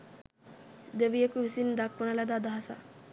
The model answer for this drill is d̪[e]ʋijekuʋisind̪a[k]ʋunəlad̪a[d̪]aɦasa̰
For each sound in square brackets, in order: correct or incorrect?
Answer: correct, correct, correct

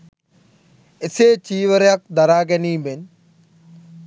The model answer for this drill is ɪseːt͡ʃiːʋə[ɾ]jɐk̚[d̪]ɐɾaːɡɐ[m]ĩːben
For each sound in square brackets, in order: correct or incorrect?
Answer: correct, correct, incorrect: n

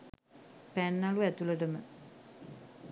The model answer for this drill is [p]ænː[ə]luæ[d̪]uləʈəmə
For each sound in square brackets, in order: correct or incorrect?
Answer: correct, incorrect: a, incorrect: t̪

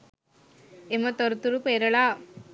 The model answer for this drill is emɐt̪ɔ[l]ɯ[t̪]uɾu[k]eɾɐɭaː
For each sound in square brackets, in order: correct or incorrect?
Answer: incorrect: ɾ, correct, incorrect: p

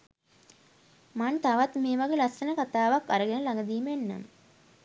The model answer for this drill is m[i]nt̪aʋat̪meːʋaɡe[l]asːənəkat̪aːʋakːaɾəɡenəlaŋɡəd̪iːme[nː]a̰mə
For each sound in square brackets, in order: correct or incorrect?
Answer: incorrect: a, correct, correct

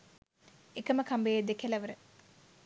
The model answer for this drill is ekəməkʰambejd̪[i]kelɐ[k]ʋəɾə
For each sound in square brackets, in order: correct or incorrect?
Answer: incorrect: e, incorrect: none

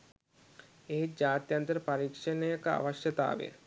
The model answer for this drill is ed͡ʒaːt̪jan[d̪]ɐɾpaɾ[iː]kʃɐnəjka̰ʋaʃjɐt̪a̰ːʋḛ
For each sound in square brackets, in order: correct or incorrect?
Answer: incorrect: t̪, incorrect: i

